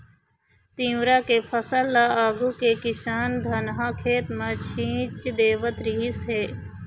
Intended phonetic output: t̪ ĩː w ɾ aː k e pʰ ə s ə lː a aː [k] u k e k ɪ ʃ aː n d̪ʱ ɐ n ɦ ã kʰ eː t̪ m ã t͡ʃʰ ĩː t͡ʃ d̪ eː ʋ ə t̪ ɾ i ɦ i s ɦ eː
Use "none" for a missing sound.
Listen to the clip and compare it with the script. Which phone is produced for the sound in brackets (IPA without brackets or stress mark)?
ɡ